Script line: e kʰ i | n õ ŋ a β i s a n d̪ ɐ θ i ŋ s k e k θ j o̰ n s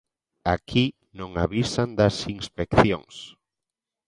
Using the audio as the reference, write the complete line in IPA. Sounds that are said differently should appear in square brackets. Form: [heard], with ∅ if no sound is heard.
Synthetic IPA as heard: [a] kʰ i | n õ ŋ a β i s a n d̪ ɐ [s] i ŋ s [p] e k θ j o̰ [ŋ] s

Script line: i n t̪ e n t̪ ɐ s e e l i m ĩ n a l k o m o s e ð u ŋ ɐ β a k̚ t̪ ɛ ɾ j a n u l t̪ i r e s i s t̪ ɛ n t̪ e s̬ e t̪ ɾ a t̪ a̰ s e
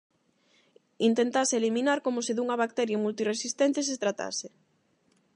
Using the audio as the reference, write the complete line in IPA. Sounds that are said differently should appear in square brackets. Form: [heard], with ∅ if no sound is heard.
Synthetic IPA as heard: i n t̪ e n t̪ [a] s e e l i m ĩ n a [ɾ] k o m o s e ð u ŋ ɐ β a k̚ t̪ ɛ ɾ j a [m] u l t̪ i r e s i s t̪ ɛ n t̪ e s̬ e t̪ ɾ a t̪ a̰ s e

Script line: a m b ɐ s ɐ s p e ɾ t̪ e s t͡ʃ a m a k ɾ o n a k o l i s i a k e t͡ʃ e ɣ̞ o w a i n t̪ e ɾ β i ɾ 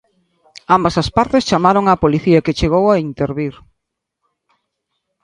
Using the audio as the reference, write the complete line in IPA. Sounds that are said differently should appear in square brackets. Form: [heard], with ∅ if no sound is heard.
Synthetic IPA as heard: a m b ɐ s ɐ s p [a] ɾ t̪ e s t͡ʃ a m a [∅] ɾ o [ŋ] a [p] o l i [θ] i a k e t͡ʃ e ɣ̞ o w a i n t̪ e ɾ β i ɾ

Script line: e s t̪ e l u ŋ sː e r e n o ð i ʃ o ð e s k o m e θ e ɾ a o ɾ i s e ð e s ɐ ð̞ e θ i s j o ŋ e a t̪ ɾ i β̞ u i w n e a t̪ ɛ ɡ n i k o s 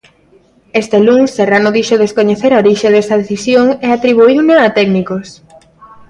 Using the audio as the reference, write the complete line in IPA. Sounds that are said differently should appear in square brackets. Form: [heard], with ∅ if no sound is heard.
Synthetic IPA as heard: e s t̪ e l u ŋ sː e r [a] n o ð i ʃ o ð e s k o [ɲ] e θ e ɾ a o ɾ i [ʃ] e ð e s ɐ ð̞ e θ i s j o ŋ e a t̪ ɾ i β̞ u i w n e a t̪ ɛ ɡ n i k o s

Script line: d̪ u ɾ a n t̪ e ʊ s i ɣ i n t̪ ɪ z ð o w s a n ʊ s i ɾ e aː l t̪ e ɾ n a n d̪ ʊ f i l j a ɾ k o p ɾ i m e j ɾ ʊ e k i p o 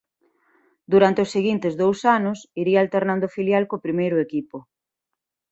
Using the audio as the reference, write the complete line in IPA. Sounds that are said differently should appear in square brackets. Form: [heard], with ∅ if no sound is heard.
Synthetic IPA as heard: d̪ u ɾ a n t̪ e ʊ s [e] ɣ i n t̪ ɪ z ð o w s a n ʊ s i ɾ [i] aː l t̪ e ɾ n a n d̪ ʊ f i l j a [l] k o p ɾ i m e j ɾ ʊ e k i p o

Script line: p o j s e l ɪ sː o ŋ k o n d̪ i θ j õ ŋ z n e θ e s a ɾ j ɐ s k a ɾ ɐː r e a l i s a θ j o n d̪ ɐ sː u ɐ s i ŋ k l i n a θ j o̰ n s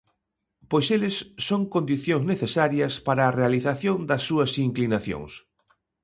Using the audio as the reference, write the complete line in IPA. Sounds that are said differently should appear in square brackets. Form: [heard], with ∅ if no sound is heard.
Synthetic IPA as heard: p o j s e l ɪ sː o ŋ k o n d̪ i θ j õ ŋ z n e θ e s a ɾ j ɐ s [p] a ɾ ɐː r e a l i [θ] a θ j o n d̪ ɐ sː u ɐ s i ŋ k l i n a θ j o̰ [ŋ] s

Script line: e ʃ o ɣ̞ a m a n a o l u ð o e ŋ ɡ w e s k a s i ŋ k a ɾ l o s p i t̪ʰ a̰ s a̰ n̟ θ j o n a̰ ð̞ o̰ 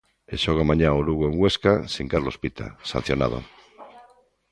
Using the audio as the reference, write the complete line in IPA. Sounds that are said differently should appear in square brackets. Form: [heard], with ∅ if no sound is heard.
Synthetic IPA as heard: e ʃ o ɣ̞ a m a [ɲ] a o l u [ɣ] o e ŋ ɡ w e s k a s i ŋ k a ɾ l o s p i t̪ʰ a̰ s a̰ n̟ θ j o n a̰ ð̞ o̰

